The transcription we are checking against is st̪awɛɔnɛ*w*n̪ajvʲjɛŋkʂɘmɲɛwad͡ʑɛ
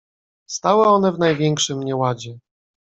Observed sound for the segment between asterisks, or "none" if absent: v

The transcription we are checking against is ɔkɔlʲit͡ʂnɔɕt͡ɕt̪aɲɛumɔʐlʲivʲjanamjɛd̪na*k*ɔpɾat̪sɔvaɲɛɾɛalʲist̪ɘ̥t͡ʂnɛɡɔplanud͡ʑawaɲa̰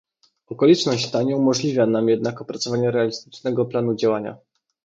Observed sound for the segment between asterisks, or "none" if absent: k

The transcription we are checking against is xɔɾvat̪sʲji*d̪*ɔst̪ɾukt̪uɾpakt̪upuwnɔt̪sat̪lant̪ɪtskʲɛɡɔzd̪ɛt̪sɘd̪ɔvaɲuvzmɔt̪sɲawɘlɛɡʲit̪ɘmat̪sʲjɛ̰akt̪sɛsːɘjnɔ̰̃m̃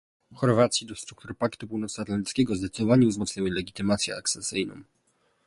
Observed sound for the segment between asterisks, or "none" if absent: d̪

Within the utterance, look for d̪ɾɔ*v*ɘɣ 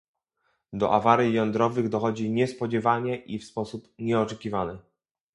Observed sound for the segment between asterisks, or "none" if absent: v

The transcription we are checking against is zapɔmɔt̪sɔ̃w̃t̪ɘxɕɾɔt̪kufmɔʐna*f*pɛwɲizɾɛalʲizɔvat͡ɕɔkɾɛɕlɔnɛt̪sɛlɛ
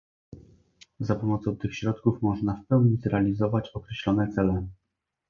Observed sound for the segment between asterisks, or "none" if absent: f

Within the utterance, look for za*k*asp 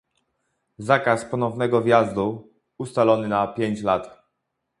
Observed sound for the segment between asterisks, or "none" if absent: k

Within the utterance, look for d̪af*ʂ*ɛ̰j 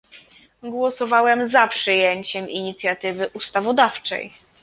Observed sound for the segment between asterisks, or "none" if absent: t͡ʂ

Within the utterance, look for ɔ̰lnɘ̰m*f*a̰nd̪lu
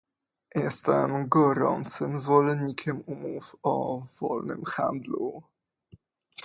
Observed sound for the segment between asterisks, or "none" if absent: x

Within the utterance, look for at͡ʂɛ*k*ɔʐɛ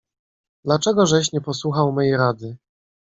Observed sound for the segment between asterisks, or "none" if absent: ɡ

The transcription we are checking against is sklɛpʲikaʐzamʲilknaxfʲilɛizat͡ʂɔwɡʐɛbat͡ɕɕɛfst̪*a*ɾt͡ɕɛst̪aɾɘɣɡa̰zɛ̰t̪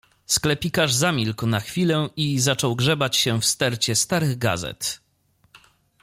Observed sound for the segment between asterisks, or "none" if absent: ɛ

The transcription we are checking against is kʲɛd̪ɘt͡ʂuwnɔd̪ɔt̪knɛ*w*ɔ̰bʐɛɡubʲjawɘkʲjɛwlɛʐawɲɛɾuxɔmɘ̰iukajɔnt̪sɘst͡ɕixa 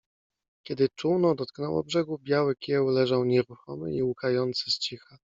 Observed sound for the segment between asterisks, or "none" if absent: w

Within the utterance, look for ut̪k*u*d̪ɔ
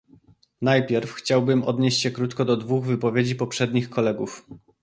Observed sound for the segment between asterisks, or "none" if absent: ɔ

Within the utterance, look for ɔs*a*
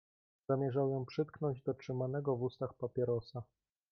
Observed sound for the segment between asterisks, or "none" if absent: a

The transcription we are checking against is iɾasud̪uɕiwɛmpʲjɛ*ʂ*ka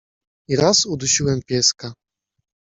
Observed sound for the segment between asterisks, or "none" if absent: s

